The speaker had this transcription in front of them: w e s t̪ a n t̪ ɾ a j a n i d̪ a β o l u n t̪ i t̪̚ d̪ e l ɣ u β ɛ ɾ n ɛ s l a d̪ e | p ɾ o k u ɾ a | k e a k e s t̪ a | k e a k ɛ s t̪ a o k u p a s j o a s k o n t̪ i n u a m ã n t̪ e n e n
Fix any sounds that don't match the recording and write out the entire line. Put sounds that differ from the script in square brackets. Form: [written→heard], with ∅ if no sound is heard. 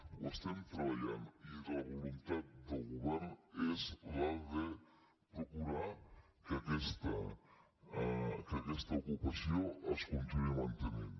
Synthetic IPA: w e s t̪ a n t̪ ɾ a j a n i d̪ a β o l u n t̪ [i→a] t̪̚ d̪ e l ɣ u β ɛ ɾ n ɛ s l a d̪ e | p ɾ o k u ɾ a | k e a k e s t̪ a | k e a k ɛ s t̪ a o k u p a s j o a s k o n t̪ i n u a m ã n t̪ e n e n